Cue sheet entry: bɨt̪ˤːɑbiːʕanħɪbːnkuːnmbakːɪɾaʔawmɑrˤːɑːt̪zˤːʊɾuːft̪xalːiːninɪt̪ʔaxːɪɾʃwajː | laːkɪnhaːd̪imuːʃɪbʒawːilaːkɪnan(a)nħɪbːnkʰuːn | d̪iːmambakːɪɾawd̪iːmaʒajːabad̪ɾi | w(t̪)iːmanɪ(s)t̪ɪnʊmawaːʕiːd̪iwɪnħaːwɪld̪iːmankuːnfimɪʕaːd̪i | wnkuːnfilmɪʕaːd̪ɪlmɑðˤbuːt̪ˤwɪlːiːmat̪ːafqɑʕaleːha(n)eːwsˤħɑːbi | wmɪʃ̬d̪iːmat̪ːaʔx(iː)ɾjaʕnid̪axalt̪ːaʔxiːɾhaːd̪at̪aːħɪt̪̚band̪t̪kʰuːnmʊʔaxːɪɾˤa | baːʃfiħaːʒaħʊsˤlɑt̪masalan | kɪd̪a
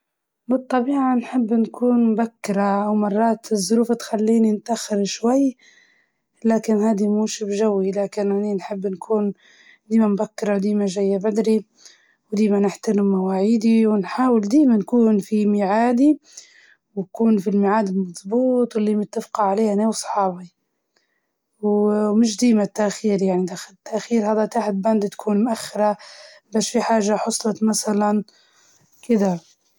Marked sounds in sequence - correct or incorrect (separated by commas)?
incorrect, incorrect, incorrect, correct, correct